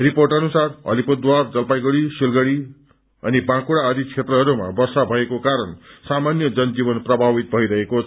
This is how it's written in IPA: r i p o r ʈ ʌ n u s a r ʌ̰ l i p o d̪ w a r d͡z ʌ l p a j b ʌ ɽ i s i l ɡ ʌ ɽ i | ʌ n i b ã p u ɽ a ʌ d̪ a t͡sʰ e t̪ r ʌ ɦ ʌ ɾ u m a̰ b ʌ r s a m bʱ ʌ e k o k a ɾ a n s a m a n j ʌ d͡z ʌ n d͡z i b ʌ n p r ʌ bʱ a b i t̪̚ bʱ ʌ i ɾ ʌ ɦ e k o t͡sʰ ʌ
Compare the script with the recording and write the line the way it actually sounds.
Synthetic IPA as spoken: r i p o r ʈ ʌ n u s a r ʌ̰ l i p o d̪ w a r d͡z ʌ l p a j ɡ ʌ ɽ i s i l ɡ ʌ ɽ i | ʌ n i b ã k u ɽ a ʌ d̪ i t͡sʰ e t̪ r ʌ ɦ ʌ ɾ u m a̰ b ʌ r s a bʱ ʌ e k o k a ɾ ʌ n s a m a n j ʌ d͡z ʌ n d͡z i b ʌ n p r ʌ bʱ a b i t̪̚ bʱ ʌ i ɾ ʌ ɦ e k o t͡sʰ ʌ